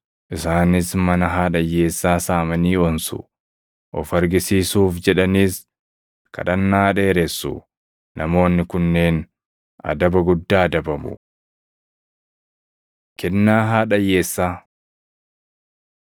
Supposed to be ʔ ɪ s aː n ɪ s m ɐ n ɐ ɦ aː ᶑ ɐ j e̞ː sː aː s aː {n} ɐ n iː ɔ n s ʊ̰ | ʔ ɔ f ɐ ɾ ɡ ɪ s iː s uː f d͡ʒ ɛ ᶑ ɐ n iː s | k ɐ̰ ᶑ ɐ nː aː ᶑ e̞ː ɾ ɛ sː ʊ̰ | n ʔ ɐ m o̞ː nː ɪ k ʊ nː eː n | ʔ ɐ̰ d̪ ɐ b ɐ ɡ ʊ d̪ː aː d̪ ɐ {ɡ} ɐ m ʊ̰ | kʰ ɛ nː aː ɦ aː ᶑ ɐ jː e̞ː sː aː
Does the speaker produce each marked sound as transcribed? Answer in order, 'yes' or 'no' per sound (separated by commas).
no, no